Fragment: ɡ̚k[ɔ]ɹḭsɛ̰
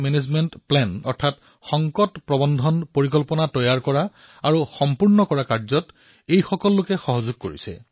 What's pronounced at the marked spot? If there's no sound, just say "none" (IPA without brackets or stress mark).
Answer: o